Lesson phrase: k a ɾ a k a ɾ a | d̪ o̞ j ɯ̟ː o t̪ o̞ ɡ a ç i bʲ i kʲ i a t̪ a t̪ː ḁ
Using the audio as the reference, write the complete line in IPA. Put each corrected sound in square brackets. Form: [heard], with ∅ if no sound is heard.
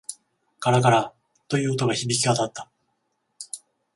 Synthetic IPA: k a ɾ a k a ɾ a | [t̪] o̞ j ɯ̟ː o t̪ o̞ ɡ a ç i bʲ i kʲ i a t̪ a t̪ː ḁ